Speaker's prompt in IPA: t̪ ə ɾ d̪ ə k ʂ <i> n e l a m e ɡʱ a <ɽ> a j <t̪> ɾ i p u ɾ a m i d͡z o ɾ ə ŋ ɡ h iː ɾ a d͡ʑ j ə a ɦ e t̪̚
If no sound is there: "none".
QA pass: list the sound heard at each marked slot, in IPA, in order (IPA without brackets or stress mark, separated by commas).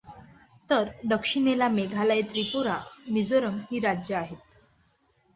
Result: i, l, t̪